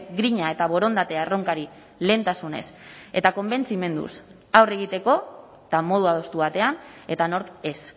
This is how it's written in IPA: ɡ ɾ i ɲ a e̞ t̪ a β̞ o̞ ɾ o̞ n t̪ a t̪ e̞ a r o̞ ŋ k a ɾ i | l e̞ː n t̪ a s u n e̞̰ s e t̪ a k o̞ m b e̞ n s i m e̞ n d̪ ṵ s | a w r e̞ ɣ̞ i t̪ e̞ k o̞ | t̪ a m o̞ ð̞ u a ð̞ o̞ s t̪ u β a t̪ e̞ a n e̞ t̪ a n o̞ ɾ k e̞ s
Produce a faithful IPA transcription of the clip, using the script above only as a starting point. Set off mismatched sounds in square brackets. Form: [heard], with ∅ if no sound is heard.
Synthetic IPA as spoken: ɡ ɾ i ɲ a e̞ t̪ a β̞ o̞ ɾ o̞ n [d̪] a t̪ e̞ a r o̞ ŋ k a ɾ i | l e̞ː n t̪ a s u n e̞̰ s e t̪ a k o̞ m b e̞ n [t͡s] i m e̞ n d̪ ṵ s | a w r e̞ ɣ̞ i t̪ e̞ k o̞ | t̪ a m o̞ ð̞ u a ð̞ o̞ s t̪ u β a t̪ e̞ a n e̞ t̪ a n o̞ ɾ k e̞ s